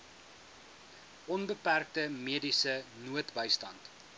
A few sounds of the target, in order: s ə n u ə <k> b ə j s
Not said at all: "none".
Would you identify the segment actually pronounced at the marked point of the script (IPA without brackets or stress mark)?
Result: t